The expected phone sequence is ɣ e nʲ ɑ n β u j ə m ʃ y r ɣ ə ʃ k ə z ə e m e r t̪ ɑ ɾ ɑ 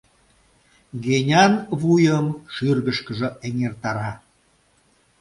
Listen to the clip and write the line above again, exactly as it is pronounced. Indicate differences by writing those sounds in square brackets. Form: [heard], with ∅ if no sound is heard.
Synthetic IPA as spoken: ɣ e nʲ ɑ n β u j ə m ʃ y r ɣ ə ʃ k ə [ʒ] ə e [ŋ] e r t̪ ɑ ɾ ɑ